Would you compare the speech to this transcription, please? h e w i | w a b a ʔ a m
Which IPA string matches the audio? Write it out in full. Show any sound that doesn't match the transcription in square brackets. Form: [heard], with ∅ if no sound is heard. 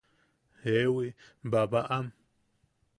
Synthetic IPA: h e w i | [b] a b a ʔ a m